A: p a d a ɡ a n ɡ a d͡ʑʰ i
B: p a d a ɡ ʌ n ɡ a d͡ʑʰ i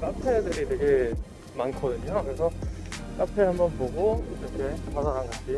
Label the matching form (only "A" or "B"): A